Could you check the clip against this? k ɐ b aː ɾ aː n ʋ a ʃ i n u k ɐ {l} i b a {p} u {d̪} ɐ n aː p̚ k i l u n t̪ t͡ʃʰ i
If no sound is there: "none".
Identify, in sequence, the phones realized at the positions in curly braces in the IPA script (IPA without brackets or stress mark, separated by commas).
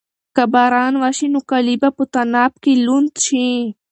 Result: l, p, t̪